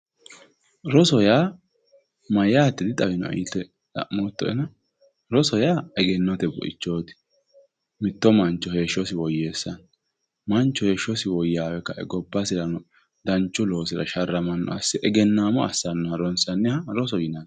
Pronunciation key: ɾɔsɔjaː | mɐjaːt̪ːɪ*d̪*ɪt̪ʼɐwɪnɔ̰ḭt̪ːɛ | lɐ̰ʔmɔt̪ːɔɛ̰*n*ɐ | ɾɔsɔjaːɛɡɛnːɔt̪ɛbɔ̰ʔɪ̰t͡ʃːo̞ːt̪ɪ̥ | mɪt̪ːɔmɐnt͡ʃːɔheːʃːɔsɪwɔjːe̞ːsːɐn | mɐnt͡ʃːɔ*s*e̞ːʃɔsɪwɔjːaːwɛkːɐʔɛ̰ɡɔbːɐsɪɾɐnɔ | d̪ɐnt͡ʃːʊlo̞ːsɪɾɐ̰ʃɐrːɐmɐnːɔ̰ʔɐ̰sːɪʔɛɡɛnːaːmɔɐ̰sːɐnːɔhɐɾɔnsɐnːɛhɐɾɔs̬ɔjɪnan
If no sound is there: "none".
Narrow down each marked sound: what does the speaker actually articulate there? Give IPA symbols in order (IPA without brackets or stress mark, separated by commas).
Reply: d̪, n, h